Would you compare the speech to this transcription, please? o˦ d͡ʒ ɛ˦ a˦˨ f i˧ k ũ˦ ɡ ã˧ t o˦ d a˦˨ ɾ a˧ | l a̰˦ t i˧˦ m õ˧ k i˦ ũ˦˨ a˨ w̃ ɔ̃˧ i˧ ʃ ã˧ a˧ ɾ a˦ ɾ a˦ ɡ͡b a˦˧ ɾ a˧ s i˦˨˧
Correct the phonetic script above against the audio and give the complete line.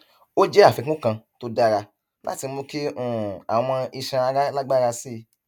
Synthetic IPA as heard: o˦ d͡ʒ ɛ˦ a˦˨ f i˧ k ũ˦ k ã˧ t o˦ d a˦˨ ɾ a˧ | l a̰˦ t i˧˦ m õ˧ k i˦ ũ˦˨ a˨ w̃ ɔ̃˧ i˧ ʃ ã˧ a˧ ɾ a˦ l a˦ ɡ͡b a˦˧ ɾ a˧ s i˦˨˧